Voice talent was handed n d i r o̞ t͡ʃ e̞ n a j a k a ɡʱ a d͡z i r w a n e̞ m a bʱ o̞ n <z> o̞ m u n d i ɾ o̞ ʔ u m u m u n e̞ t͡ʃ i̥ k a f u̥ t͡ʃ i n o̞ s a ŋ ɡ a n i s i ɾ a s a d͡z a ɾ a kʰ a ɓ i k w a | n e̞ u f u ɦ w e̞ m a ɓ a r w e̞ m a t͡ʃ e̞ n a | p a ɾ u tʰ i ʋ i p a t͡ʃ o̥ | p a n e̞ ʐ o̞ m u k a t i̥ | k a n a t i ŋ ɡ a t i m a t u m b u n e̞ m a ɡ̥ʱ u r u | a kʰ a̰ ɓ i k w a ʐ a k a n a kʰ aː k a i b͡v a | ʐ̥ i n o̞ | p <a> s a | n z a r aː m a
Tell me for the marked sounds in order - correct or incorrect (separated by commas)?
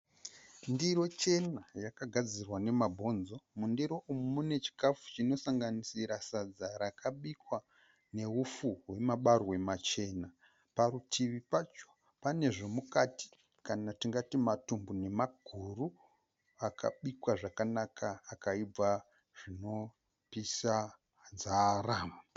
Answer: correct, incorrect